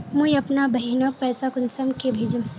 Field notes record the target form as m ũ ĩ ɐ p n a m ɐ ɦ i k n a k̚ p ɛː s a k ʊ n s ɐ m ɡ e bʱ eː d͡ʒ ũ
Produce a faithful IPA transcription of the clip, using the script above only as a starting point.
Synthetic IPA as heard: m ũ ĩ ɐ p n a b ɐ ɦ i n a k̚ p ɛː s a k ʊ n s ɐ m k e bʱ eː d͡ʒ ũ